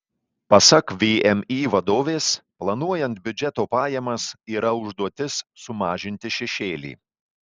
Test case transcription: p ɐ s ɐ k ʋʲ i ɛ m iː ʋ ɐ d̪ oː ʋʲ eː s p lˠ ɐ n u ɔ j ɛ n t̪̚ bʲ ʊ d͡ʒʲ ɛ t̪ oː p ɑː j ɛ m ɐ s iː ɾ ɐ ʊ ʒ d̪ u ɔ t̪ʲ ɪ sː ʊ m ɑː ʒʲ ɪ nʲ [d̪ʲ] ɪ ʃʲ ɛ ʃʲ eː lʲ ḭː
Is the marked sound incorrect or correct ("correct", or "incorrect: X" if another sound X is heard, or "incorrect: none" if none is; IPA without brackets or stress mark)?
incorrect: t̪ʲ